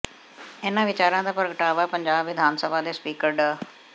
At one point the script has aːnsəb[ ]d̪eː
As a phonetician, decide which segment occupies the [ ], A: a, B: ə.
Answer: A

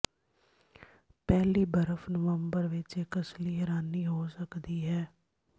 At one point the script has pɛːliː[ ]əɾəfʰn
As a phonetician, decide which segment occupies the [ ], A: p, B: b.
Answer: B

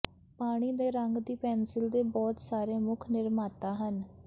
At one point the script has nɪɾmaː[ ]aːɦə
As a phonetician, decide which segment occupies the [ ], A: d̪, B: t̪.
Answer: B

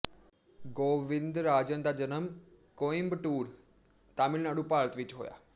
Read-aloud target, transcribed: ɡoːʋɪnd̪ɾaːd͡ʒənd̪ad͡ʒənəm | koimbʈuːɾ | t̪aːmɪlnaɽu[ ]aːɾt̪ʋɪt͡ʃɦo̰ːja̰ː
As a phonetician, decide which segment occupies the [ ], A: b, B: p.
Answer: B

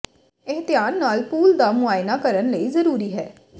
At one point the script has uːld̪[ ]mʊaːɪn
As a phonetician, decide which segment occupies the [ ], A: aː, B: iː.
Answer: A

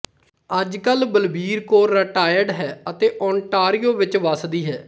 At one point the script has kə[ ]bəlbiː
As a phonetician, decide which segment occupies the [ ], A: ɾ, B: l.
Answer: B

